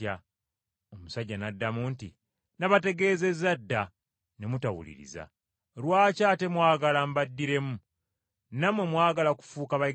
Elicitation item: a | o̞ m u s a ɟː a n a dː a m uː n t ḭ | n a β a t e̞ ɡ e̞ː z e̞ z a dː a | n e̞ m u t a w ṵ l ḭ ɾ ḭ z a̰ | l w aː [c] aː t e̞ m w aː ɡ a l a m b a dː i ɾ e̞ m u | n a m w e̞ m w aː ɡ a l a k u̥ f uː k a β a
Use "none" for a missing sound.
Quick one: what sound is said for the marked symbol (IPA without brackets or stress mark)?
c